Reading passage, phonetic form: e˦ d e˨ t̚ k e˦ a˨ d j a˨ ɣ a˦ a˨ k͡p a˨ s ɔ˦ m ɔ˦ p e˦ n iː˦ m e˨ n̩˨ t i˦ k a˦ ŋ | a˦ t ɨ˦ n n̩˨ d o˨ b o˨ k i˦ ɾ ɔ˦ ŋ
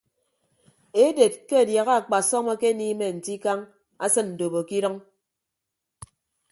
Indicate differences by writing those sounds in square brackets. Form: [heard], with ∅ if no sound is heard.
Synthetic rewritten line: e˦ d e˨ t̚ k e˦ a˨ d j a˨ ɣ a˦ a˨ k͡p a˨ s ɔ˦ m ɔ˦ [k] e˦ n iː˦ m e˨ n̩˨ t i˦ k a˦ ŋ | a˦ [s] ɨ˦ n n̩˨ d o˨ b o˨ k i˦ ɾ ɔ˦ ŋ